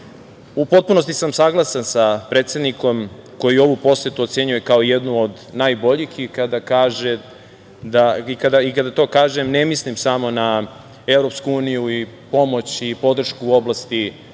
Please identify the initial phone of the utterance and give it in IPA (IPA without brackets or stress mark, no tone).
u